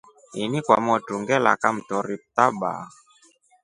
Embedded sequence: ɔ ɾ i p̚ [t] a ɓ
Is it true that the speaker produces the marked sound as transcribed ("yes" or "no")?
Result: yes